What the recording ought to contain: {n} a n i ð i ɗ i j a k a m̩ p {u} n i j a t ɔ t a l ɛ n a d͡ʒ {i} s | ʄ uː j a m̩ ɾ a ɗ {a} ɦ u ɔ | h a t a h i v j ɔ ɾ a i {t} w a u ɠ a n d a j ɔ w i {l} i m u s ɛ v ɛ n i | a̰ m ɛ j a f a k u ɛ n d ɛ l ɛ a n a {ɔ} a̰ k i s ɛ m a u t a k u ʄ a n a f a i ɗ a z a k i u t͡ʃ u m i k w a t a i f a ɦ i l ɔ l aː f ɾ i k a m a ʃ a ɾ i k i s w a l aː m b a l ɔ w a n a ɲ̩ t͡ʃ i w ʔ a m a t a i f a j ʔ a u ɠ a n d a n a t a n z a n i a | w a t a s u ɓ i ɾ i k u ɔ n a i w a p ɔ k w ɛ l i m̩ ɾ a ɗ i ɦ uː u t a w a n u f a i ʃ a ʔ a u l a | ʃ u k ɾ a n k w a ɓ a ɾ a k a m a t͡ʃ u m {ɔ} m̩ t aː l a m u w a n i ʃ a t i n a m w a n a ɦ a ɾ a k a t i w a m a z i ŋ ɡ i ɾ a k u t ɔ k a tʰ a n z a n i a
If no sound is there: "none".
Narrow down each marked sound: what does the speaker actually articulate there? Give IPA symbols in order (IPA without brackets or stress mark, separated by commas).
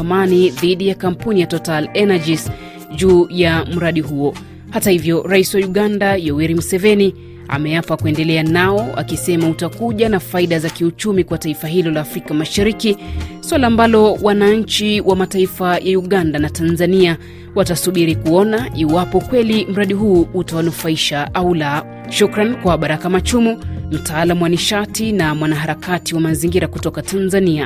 m, u, i, i, s, ɾ, ɔ, u